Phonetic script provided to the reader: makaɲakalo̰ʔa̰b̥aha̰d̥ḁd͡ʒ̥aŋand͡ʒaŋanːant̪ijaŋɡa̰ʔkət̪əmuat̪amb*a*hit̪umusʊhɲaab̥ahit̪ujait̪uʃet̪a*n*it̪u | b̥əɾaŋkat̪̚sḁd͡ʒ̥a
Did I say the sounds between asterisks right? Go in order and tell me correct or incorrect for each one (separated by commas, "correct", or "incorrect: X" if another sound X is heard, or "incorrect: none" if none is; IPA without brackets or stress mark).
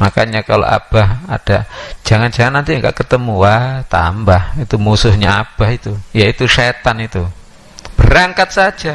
correct, correct